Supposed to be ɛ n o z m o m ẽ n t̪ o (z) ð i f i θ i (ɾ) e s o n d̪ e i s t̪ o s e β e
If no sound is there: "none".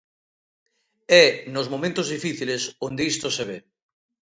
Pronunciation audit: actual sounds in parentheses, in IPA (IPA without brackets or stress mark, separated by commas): z, l